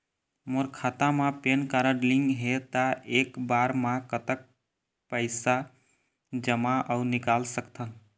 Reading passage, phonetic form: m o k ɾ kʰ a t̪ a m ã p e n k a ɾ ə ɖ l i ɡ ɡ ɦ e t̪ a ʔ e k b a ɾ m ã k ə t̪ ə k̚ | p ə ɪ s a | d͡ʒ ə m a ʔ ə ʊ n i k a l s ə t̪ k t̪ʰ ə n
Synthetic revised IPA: m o ɾ kʰ a t̪ a m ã p e n k a ɾ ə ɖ l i ŋ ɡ ɦ e t̪ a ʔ e k b a ɾ m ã k ə t̪ ə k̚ | p ə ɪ s a | d͡ʒ ə m a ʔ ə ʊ n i k a l s ə k t̪ʰ ə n